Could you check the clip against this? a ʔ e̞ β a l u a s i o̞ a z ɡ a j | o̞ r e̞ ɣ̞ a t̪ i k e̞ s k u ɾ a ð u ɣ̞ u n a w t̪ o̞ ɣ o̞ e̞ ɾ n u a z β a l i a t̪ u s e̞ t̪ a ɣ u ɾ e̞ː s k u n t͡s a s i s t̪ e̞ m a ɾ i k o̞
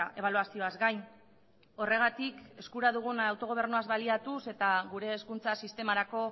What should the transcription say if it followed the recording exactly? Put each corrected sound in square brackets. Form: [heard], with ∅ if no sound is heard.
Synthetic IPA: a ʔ e̞ β a l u a s i o̞ a z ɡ a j | o̞ r e̞ ɣ̞ a t̪ i k e̞ s k u ɾ a ð u ɣ̞ u n a w t̪ o̞ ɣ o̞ e̞ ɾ n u a z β a l i a t̪ u s e̞ t̪ a ɣ u ɾ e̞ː s k u n t͡s a s i s t̪ e̞ m a ɾ [a] k o̞